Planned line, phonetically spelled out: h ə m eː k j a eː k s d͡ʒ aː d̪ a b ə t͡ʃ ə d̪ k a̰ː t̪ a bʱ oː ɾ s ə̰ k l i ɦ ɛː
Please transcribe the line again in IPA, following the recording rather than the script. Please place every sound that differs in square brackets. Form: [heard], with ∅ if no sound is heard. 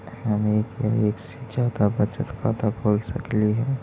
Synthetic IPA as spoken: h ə m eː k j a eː k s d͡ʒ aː d̪ a b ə t͡ʃ ə [t̪] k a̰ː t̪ a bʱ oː [l] s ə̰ k l i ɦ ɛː